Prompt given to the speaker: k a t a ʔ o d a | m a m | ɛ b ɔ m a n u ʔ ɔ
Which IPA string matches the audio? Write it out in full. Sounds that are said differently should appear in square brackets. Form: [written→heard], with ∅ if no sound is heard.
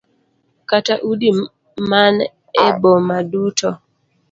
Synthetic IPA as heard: k a t a ʔ [o→u] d [a→i] | m a [m→n] | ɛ b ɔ m a [n→d] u [ʔ→t] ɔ